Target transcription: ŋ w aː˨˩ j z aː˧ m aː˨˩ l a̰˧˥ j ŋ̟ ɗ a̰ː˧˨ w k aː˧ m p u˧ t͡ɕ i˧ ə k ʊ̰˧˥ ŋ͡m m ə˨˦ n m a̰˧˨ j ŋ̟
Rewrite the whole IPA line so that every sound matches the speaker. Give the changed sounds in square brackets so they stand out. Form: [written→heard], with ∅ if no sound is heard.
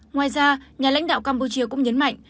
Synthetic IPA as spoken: ŋ w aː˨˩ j z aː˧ [m→ɲ] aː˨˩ l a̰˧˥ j ŋ̟ ɗ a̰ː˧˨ w k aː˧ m p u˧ t͡ɕ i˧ ə k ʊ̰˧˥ ŋ͡m [m→ɲ] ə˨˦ n m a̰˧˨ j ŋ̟